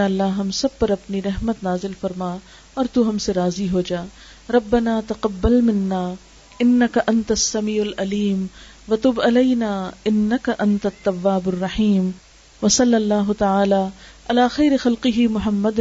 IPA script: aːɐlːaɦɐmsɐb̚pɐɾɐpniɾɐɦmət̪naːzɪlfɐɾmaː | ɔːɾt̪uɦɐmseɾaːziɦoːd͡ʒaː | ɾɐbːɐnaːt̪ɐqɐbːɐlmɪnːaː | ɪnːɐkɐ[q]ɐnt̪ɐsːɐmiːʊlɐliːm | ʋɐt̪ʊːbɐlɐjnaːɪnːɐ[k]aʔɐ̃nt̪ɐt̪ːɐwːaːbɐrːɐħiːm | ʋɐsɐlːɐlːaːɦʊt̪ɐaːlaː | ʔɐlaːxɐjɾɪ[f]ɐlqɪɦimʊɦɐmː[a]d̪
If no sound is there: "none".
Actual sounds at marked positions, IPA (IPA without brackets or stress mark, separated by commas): ʔ, k, x, ɐ